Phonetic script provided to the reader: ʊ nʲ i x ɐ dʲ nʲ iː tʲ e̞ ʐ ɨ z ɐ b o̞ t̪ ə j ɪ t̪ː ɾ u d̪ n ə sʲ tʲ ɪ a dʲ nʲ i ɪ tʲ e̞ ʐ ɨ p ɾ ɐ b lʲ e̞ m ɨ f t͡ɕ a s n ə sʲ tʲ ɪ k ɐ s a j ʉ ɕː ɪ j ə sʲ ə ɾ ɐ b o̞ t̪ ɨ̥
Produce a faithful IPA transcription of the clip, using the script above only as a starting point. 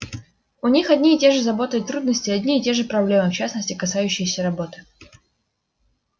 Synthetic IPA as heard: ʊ nʲ i x ɐ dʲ nʲ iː tʲ e̞ ʐ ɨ z ɐ b o̞ t̪ ə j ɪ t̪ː ɾ u d̪ n ə sʲ tʲ ɪ ɐ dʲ nʲ i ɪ tʲ e̞ ʐ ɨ p ɾ ɐ b lʲ e̞ m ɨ f t͡ɕ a s n ə sʲ tʲ ɪ k ɐ s a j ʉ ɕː ɪ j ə sʲ ə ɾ ɐ b o̞ t̪ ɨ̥